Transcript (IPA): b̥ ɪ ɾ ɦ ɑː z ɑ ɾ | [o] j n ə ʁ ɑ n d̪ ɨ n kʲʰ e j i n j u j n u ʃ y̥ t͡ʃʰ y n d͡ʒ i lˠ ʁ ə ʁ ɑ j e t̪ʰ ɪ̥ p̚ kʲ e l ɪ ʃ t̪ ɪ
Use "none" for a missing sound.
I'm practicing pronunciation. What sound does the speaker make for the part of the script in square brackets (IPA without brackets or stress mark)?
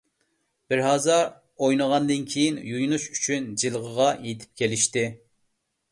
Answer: o